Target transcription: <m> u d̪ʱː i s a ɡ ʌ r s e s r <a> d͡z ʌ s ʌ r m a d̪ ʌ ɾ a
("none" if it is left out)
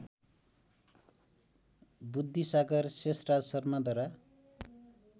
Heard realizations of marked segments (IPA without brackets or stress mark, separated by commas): b, a